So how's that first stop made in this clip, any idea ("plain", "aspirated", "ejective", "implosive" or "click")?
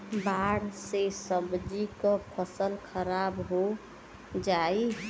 plain